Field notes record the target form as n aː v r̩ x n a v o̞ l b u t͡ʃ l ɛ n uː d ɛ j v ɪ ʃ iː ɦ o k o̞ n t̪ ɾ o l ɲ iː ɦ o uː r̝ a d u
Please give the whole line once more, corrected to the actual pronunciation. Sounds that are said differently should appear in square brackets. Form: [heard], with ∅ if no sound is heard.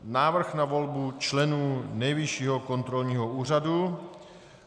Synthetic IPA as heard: n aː v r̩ x n a v o̞ l b u t͡ʃ l ɛ n uː [n] ɛ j v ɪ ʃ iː ɦ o k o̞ n t̪ ɾ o l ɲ iː ɦ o uː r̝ a d u